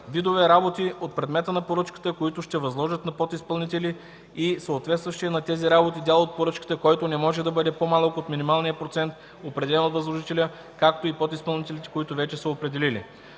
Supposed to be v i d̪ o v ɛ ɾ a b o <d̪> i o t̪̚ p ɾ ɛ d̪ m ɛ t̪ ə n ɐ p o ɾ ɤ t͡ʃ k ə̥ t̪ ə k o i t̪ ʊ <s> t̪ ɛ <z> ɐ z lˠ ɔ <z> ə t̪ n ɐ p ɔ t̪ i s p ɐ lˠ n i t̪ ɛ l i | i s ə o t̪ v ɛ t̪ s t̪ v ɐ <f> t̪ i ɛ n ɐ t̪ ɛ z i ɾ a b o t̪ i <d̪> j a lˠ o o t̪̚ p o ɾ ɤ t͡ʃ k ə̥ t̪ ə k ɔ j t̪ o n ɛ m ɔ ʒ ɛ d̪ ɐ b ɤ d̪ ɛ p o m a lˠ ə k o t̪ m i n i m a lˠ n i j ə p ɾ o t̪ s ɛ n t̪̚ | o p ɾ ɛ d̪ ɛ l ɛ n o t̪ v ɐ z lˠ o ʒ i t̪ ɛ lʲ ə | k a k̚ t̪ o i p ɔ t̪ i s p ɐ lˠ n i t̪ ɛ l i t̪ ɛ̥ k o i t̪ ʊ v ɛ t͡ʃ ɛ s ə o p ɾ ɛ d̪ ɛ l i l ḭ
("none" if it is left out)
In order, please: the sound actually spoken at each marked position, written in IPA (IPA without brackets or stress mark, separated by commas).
t̪, ʃ, v, ʒ, ʃ, d̪